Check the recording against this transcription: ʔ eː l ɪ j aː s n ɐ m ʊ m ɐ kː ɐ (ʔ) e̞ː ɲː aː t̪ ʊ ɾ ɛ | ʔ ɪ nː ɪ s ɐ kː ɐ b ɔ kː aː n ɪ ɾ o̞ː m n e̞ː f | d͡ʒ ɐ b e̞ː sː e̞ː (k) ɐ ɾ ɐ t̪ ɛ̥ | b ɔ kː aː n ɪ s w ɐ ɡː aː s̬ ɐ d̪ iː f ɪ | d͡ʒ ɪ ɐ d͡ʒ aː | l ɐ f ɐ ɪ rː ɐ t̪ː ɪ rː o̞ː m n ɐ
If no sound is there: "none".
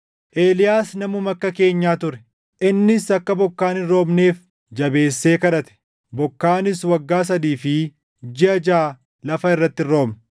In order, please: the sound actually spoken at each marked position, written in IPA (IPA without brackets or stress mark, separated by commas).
k, k